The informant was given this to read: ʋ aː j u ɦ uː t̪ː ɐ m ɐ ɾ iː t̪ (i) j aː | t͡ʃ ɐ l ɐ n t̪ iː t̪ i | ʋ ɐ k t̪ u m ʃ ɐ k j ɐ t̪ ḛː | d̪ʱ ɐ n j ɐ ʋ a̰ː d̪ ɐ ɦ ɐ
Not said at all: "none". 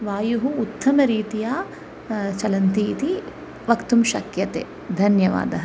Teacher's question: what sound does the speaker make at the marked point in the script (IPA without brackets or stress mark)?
i